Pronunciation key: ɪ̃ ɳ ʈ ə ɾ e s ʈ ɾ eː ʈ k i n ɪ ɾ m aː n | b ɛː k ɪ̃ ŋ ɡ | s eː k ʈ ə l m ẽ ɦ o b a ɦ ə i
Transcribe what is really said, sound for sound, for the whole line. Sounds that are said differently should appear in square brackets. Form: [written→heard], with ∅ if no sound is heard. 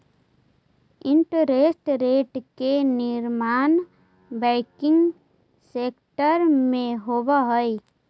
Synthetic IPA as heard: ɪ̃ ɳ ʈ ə ɾ e s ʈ ɾ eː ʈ k [i→e] n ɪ ɾ m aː n | b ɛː k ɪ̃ ŋ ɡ | s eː k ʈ ə [l→ɾ] m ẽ ɦ o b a ɦ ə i